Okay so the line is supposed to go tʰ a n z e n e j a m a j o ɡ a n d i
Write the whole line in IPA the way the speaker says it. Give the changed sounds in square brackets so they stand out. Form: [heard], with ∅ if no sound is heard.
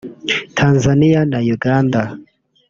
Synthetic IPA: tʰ a n z [a] n [i] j a [n] a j [u] ɡ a n d [a]